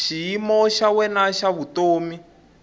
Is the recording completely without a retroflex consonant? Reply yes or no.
yes